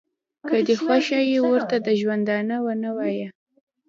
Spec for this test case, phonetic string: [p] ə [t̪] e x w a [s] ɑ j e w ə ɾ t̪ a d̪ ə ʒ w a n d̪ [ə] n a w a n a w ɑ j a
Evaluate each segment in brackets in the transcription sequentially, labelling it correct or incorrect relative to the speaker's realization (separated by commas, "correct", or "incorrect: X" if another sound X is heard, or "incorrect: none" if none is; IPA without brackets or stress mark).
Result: incorrect: k, incorrect: d̪, incorrect: ʃ, incorrect: ɑ